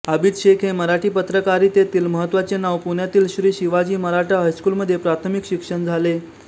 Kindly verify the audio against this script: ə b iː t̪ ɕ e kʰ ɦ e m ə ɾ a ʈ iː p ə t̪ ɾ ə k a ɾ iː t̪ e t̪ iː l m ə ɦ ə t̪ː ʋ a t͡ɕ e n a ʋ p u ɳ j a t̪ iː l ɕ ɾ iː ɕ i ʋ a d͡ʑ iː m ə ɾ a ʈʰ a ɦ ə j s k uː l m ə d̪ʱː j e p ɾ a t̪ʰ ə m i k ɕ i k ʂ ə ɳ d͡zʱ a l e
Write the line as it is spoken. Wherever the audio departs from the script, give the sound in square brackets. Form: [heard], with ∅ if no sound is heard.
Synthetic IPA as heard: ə b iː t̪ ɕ e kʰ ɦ e m ə ɾ a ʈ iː p ə t̪ ɾ ə k a ɾ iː t̪ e t̪ iː l m ə ɦ ə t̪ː ʋ a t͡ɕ e n a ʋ p u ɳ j a t̪ iː l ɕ ɾ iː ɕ i ʋ a d͡ʑ iː m ə ɾ a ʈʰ a ɦ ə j s k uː l m ə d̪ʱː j e p ɾ a t̪ʰ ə m i k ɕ i k ʂ ə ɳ d͡zʱ a l e

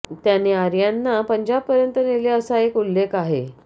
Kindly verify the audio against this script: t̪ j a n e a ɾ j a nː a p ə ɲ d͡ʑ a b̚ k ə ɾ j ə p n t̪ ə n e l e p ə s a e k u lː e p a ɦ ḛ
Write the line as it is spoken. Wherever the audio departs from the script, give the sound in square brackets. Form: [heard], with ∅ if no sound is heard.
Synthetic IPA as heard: t̪ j a n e a ɾ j a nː a p ə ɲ d͡ʑ a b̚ [p] ə ɾ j ə [∅] n t̪ ə n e l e [∅] ə s a e k u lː e [k] a ɦ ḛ

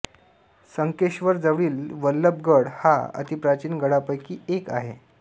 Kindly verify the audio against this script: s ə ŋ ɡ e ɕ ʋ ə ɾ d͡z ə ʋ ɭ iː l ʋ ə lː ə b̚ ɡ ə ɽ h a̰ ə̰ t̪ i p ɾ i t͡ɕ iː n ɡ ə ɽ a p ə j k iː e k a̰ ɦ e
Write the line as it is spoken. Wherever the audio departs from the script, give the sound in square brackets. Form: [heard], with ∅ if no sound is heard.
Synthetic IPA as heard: s ə ŋ [k] e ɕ ʋ ə ɾ d͡z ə ʋ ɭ iː l ʋ ə lː ə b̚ ɡ ə ɽ h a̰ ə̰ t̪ i p ɾ [a] t͡ɕ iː n ɡ ə ɽ a p ə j k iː e k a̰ ɦ e

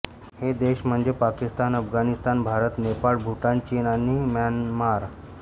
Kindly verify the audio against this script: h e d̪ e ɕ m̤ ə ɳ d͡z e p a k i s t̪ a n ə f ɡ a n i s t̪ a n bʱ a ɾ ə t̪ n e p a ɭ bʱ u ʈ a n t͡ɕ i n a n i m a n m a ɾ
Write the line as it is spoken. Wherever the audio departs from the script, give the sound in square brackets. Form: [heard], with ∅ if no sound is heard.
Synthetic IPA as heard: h e d̪ e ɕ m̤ ə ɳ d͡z e p a k i s t̪ a n ə f ɡ a n i s t̪ a n bʱ a ɾ ə t̪ n e p a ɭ bʱ u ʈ a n t͡ɕ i n a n i m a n m a ɾ

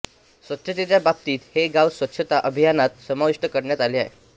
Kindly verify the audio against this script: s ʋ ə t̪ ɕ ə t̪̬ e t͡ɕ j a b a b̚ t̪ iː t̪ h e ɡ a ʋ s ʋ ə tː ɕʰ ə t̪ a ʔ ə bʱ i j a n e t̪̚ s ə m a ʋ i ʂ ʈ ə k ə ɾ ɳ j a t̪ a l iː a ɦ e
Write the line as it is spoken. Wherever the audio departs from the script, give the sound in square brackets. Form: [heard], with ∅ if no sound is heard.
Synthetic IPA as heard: s ʋ ə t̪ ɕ ə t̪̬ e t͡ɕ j a b a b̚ t̪ iː t̪ h e ɡ a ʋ s ʋ ə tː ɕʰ ə t̪ a ʔ ə bʱ i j a n [a] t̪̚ s ə m a ʋ i ʂ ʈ ə k ə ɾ ɳ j a t̪ a l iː a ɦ e

